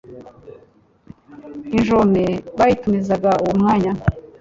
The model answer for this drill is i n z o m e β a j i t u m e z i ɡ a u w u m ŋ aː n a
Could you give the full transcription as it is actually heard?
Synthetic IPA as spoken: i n ʒ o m e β a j i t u m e z a ɡ a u w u m ŋ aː ɲ a